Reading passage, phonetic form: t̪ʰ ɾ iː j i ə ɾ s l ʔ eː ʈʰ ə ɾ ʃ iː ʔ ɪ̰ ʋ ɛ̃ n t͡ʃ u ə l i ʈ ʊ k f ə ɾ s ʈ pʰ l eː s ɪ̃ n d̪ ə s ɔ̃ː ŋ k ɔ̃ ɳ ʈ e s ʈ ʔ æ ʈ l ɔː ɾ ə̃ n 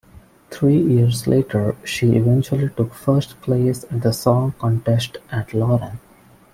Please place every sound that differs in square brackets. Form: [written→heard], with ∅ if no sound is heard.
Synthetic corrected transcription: t̪ʰ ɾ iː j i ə ɾ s l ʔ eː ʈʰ ə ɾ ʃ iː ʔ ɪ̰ ʋ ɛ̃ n t͡ʃ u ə l i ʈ ʊ k f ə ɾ s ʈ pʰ l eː s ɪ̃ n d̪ ə s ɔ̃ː ŋ k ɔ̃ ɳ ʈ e s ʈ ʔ æ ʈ l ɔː ɾ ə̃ n

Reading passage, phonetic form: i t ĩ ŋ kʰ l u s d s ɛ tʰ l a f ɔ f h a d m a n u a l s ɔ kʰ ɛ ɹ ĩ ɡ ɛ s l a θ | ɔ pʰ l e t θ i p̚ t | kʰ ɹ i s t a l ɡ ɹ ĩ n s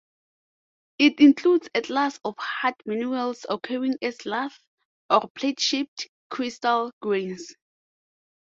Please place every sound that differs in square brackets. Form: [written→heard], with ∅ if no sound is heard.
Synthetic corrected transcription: i t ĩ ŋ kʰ l u [s→∅] d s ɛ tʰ l a [f→s] ɔ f h a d m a n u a l s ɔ kʰ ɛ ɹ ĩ [ɡ→ŋ] ɛ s l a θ | ɔ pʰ l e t [θ→ʃ] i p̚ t | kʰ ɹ i s t a l ɡ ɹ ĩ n s

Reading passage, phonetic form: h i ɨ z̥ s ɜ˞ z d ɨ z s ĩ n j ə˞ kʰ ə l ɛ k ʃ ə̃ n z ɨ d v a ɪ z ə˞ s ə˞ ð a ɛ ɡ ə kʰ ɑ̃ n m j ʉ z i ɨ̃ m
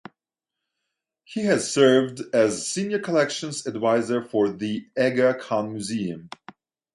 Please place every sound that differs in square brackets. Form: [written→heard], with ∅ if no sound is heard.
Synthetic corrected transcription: h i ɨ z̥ s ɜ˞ [z→v] d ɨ z s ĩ n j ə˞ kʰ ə l ɛ k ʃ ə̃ n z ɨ d v a ɪ z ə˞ [s→f] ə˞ ð [a→i] ɛ ɡ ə kʰ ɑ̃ n m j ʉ z i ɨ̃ m

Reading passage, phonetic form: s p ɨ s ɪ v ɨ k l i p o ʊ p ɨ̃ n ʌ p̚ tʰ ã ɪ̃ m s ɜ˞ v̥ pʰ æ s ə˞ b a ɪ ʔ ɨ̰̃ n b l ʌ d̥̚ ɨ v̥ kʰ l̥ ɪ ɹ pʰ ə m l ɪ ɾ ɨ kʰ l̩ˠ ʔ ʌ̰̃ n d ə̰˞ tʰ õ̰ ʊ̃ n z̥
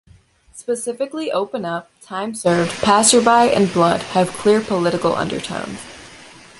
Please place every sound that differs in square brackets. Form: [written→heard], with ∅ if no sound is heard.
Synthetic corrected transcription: s p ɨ s ɪ [v→f] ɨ k l i [p→ʔ] o ʊ p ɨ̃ n ʌ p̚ tʰ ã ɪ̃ m s ɜ˞ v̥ pʰ æ s ə˞ b a ɪ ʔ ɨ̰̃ n b l ʌ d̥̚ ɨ v̥ kʰ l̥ ɪ ɹ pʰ ə [m→∅] l ɪ ɾ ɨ [kʰ→k] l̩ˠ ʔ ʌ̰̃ n d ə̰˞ tʰ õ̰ ʊ̃ n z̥

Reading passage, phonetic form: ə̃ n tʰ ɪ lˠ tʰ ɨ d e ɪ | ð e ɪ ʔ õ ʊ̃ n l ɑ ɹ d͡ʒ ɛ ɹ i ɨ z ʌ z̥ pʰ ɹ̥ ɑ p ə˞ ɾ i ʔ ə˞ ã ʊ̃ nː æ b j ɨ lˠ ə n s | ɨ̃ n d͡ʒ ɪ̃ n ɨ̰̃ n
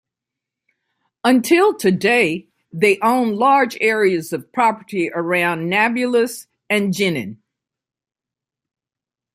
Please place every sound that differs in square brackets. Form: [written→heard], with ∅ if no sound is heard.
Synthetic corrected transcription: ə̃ n tʰ ɪ lˠ tʰ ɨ d e ɪ | ð e ɪ ʔ õ ʊ̃ n l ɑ ɹ d͡ʒ ɛ ɹ i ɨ z ʌ [z̥→v̥] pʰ ɹ̥ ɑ p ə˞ ɾ i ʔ ə˞ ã ʊ̃ nː æ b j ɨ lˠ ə [n→∅] s | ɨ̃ n d͡ʒ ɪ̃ n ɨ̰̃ n

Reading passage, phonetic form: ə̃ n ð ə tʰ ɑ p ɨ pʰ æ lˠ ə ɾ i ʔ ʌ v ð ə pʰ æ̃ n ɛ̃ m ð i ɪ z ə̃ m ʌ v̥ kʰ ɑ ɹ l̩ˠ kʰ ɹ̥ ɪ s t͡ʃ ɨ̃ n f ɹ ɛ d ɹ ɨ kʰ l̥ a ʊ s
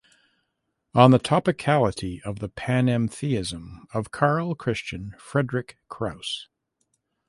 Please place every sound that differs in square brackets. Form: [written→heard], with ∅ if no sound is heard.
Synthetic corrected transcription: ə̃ n ð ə tʰ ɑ p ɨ [pʰ→kʰ] æ lˠ ə ɾ i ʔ ʌ v ð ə pʰ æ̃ n ɛ̃ m [ð→θ] i ɪ z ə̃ m ʌ v̥ kʰ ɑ ɹ l̩ˠ kʰ ɹ̥ ɪ s t͡ʃ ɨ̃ n f ɹ ɛ d ɹ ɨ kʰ [l̥→ɹ̥] a ʊ s

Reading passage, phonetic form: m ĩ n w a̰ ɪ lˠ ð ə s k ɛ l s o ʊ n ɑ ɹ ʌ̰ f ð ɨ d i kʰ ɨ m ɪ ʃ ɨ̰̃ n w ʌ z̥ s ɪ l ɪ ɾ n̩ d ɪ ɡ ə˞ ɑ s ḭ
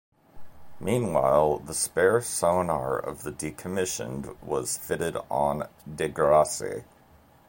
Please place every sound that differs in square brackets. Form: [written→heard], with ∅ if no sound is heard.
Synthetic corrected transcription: m ĩ n w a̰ ɪ lˠ ð ə s [k→p] ɛ [l→ɹ] s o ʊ n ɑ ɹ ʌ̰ [f→v] ð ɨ d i kʰ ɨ m ɪ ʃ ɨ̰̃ n w ʌ z̥ [s→f] ɪ [l→ɾ] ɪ ɾ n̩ d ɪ ɡ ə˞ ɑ s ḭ

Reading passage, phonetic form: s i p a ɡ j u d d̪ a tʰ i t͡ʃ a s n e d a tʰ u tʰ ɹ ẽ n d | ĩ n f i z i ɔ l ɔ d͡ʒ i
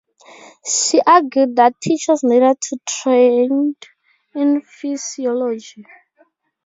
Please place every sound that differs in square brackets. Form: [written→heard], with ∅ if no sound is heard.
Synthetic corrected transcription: [s→ʃ] i [p→ʔ] a ɡ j u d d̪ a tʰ i t͡ʃ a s n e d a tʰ u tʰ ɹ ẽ n d | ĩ n f i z i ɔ l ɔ d͡ʒ i

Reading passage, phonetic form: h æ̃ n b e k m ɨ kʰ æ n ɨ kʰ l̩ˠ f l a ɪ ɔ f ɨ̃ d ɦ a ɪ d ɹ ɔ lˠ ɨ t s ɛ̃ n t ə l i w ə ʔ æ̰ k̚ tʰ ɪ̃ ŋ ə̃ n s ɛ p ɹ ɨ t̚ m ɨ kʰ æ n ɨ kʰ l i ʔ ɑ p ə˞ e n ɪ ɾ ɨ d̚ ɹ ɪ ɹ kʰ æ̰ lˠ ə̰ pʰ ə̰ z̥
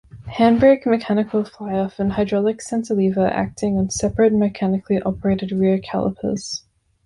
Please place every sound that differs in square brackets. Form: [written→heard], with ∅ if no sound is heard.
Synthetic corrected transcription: h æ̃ n b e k m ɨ kʰ æ n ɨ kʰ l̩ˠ f l a ɪ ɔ f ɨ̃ [d→n] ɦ a ɪ d ɹ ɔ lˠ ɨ [t→k] s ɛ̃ n t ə l i [w→v] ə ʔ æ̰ k̚ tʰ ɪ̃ ŋ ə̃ n s ɛ p ɹ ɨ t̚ m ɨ kʰ æ n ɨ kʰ l i ʔ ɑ p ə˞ e [n→∅] ɪ ɾ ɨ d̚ ɹ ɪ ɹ kʰ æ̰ lˠ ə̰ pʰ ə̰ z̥

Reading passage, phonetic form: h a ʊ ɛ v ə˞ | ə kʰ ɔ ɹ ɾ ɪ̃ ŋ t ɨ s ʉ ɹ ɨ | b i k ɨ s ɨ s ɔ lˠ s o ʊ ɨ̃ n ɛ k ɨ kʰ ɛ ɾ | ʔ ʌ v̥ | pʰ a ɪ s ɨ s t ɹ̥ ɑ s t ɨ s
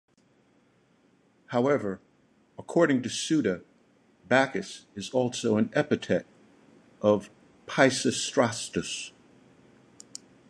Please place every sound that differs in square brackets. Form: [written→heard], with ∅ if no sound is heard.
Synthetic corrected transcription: h a ʊ ɛ v ə˞ | ə kʰ ɔ ɹ ɾ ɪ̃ ŋ t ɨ s ʉ [ɹ→ɾ] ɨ | b [i→æ] k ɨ s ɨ [s→z] ɔ lˠ s o ʊ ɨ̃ n ɛ [k→p] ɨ [kʰ→tʰ] ɛ ɾ | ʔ ʌ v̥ | pʰ a ɪ s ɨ s t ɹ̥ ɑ s t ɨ s

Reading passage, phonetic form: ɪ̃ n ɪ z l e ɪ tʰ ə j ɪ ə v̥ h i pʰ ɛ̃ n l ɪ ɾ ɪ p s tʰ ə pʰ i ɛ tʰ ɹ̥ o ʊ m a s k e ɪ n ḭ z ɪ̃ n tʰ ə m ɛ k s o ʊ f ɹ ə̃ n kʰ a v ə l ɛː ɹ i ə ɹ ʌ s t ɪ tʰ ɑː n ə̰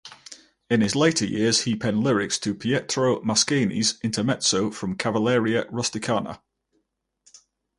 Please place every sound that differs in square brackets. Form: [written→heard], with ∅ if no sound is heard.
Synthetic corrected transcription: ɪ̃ n ɪ z l e ɪ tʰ ə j ɪ ə [v̥→z̥] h i pʰ ɛ̃ n l ɪ [ɾ→ɹ] ɪ [p→k] s tʰ ə pʰ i ɛ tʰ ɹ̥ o ʊ m a s k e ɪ n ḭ z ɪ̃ n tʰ ə m ɛ [k→t] s o ʊ f ɹ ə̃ [n→m] kʰ a v ə l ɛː ɹ i ə ɹ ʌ s t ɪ [tʰ→kʰ] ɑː n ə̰

